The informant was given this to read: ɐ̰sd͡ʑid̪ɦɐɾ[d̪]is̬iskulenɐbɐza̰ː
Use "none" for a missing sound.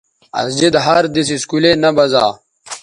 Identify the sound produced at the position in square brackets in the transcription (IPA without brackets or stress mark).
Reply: d̪